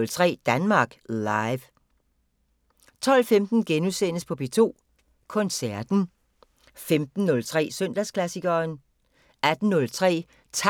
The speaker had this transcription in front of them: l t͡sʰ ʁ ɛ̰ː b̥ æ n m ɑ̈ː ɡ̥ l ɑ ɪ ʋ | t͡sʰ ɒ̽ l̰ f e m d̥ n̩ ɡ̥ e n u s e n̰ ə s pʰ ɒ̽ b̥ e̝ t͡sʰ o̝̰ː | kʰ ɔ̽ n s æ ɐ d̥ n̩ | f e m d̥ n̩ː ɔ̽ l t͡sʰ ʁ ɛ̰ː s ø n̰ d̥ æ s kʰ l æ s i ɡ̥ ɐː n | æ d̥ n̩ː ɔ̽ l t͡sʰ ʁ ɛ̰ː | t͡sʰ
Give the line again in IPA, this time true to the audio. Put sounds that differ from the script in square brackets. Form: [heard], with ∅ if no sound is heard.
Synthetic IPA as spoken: l t͡sʰ ʁ ɛ̰ː [d̥] æ n m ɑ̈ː ɡ̥ l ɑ ɪ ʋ | t͡sʰ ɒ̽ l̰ f e m d̥ n̩ ɡ̥ e n u s e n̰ ə s pʰ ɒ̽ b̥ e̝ t͡sʰ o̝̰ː | kʰ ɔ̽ n s æ ɐ d̥ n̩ | f e m d̥ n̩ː ɔ̽ l t͡sʰ ʁ ɛ̰ː s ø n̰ d̥ æ s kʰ l æ s i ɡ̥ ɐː n | æ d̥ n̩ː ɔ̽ l t͡sʰ ʁ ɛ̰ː | t͡sʰ